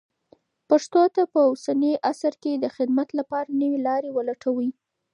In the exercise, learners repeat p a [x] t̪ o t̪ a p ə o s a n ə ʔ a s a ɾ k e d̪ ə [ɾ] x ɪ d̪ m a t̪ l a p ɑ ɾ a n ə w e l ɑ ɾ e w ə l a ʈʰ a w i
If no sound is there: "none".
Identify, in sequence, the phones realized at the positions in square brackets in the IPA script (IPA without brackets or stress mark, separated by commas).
ʂ, none